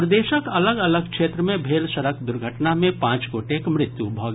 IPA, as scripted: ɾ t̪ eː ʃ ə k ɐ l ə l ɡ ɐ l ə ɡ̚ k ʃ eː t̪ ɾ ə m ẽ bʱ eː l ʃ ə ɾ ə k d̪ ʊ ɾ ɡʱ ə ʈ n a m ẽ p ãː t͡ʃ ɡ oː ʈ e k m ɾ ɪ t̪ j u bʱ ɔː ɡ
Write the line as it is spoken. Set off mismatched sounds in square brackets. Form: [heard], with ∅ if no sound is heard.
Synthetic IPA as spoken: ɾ [d̪] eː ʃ ə k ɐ l ə [∅] ɡ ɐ l ə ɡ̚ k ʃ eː t̪ ɾ ə m ẽ bʱ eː l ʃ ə ɾ ə k d̪ ʊ ɾ ɡʱ ə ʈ n a m ẽ p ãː t͡ʃ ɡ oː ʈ e k m ɾ ɪ t̪ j u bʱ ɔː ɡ